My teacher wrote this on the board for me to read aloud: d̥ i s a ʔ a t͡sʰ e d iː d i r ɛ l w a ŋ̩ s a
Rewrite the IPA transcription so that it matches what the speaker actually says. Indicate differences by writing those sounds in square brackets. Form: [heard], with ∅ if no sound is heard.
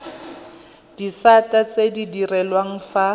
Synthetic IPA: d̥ i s a [t] a [t͡s] e d [i] d i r ɛ l w a ŋ̩ [f] a